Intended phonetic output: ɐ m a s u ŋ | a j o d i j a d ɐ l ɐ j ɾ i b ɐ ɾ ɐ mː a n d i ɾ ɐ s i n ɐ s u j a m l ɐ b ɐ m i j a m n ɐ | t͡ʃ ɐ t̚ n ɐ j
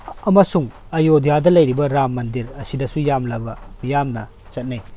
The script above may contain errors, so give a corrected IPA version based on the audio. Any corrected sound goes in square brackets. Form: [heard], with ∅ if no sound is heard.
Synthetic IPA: ɐ m [ɐ] s u ŋ | [ɐ] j o d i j a d ɐ l ɐ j ɾ i b ɐ ɾ [a] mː [ɐ] n d i ɾ ɐ s i [d] ɐ s u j a m l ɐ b ɐ m i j a m n ɐ | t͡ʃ ɐ t̚ n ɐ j